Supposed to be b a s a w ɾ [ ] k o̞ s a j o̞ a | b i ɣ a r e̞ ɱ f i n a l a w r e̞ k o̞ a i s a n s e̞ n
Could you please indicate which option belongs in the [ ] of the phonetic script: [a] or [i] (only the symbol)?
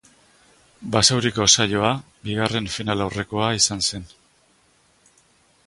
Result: i